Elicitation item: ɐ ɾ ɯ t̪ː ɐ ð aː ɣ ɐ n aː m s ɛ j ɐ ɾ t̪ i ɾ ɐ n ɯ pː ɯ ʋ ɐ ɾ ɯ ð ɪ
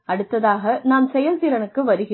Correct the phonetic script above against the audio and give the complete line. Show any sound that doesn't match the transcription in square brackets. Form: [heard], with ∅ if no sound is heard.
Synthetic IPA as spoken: ɐ [ɽ] ɯ t̪ː ɐ ð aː ɣ ɐ n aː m s ɛ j ɐ [l] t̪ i ɾ ɐ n ɯ [kː] ɯ ʋ ɐ ɾ ɯ [ɣ] ɪ